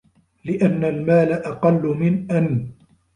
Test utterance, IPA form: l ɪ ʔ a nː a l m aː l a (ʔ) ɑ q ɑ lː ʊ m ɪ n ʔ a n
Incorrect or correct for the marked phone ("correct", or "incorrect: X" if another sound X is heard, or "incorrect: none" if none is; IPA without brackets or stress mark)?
correct